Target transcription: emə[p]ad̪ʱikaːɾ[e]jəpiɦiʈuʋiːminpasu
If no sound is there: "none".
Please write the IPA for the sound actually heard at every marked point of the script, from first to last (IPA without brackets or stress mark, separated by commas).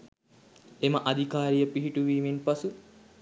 ʔ, i